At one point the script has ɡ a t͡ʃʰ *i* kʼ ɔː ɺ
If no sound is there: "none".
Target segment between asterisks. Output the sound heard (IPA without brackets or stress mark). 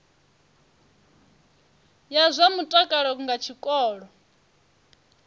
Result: i